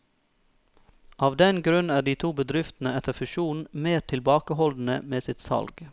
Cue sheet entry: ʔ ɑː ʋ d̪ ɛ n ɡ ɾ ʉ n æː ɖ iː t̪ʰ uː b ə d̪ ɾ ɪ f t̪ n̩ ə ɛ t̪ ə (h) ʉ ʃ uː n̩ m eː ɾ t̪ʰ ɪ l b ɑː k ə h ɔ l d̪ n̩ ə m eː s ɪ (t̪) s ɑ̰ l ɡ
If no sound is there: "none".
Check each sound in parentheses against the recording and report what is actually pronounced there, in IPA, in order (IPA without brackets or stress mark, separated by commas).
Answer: f, t̪